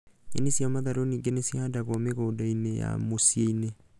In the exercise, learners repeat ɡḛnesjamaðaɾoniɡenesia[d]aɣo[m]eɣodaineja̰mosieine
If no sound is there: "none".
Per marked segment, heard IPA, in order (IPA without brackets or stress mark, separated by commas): d, m